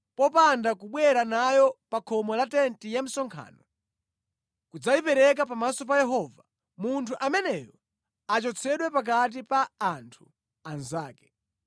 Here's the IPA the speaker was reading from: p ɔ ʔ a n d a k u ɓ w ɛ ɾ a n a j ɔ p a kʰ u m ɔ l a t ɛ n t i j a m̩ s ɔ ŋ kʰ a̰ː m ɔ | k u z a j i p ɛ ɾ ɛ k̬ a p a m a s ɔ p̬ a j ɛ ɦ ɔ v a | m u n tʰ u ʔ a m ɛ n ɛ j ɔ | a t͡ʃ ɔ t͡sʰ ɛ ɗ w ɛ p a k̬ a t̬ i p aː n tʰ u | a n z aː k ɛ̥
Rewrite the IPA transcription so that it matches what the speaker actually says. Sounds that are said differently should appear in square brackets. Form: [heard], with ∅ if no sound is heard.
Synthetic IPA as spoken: p ɔ [p] a n d a k u ɓ w ɛ ɾ a n a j ɔ p a kʰ [ɔ] m ɔ l a t ɛ n t i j a m̩ s ɔ ŋ kʰ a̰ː [n] ɔ | k u [d͡z] a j i p ɛ ɾ ɛ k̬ a p a m a s ɔ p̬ a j ɛ ɦ ɔ v a | m u n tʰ u ʔ a m ɛ n ɛ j ɔ | a t͡ʃ ɔ t͡sʰ ɛ ɗ w ɛ p a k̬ a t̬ i p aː n tʰ u | a n z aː k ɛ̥